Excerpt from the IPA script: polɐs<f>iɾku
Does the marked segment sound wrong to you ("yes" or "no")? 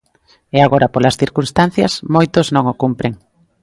yes